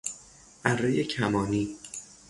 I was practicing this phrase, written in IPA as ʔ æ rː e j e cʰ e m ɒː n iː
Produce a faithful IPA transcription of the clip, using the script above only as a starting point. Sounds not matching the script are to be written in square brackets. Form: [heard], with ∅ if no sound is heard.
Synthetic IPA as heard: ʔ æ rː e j e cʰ [æ] m ɒː n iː